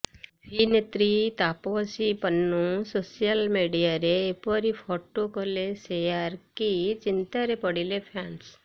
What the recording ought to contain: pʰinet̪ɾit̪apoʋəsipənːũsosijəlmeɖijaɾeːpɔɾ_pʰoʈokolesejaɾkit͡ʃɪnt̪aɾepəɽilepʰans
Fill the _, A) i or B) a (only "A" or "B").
A